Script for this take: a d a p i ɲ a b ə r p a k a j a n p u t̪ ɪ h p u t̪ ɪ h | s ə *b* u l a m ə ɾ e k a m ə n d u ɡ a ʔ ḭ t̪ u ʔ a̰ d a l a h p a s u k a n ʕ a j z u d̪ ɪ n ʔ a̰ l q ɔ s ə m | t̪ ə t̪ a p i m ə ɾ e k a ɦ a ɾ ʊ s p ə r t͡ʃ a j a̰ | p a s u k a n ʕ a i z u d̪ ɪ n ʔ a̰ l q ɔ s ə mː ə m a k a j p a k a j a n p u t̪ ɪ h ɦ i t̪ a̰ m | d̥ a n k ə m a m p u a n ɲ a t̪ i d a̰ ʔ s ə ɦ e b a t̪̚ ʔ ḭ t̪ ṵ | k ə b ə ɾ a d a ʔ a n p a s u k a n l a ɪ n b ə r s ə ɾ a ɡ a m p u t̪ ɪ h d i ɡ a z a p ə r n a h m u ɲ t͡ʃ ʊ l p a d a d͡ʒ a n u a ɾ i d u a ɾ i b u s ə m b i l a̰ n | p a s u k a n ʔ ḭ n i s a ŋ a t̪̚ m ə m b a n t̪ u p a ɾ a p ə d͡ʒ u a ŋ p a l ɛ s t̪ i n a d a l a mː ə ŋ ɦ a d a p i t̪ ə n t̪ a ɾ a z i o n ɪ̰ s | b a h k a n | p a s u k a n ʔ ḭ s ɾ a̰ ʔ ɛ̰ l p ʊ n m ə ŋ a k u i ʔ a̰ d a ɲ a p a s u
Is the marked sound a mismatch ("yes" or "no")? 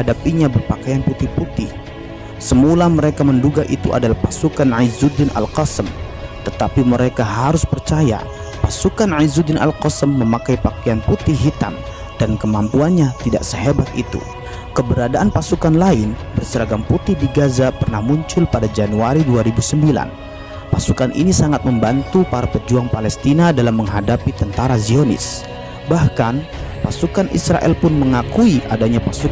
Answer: yes